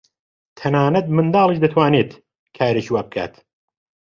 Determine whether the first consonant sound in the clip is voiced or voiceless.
voiceless